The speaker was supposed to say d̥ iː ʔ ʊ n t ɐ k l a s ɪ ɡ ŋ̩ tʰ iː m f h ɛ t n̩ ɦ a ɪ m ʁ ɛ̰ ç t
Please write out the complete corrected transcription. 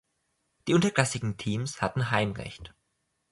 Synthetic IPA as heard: d̥ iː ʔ ʊ n t ɐ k l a s ɪ ɡ ŋ̩ tʰ iː m s h a t n̩ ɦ a ɪ m ʁ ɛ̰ ç t